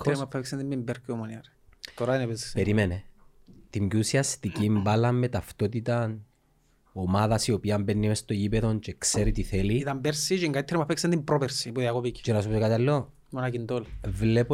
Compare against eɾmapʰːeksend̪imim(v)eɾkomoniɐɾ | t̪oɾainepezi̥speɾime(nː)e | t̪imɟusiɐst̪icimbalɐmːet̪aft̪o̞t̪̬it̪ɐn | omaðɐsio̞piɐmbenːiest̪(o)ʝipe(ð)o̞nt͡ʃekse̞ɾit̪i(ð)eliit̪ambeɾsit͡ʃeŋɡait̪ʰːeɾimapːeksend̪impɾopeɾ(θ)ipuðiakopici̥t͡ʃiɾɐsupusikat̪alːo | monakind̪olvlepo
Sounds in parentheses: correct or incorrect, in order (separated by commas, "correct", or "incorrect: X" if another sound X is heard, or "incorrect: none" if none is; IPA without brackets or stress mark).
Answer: incorrect: b, incorrect: n, correct, correct, incorrect: θ, incorrect: s